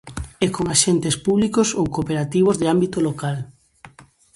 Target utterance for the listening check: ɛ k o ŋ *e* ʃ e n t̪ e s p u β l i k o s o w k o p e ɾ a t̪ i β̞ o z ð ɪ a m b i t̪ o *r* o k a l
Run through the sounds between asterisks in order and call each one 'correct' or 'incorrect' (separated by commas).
incorrect, incorrect